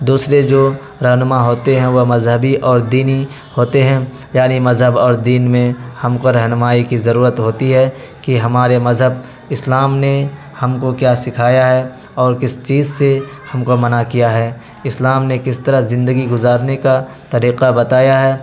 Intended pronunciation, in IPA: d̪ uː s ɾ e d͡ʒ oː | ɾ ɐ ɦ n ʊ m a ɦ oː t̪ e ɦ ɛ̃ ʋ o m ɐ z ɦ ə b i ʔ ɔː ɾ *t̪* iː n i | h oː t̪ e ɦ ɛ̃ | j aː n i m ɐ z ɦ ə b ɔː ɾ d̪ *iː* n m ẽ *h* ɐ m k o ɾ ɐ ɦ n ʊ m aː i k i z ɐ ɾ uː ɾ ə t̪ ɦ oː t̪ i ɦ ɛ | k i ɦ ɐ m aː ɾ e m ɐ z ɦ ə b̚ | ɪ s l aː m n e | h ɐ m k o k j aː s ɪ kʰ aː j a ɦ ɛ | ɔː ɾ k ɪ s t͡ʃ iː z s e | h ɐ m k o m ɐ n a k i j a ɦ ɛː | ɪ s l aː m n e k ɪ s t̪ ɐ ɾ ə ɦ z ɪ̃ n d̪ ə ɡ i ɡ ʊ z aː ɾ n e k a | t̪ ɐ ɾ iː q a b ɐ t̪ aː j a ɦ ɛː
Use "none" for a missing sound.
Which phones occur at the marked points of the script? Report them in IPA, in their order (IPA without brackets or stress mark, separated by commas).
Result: d̪, iː, h